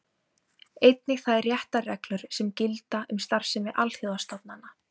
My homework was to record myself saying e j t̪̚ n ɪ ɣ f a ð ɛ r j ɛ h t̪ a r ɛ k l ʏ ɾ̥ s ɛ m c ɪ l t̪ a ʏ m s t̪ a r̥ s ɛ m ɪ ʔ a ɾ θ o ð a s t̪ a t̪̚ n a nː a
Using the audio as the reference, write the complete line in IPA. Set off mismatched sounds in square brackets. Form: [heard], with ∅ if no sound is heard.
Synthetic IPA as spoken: e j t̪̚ n ɪ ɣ [θ] a ð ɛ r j ɛ h t̪ a r ɛ k l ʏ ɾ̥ s ɛ m c ɪ l t̪ a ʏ m s t̪ a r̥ s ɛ m ɪ ʔ a [l] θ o ð a s t̪ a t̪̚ n a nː a